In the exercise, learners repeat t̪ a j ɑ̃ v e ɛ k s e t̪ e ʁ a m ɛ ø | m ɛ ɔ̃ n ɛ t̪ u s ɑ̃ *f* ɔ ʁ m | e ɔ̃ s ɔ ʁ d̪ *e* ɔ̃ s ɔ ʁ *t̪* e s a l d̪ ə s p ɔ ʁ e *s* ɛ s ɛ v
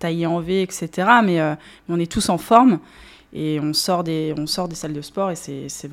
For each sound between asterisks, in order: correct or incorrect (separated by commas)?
correct, correct, incorrect, correct